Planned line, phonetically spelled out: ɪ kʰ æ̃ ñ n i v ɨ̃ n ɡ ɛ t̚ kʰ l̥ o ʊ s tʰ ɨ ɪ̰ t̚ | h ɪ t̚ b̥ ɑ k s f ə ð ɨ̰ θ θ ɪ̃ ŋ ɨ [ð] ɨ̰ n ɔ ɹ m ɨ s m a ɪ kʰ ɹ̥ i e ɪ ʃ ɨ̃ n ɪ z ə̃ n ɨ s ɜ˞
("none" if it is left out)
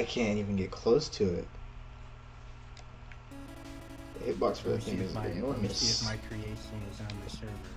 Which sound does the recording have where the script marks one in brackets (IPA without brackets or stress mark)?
z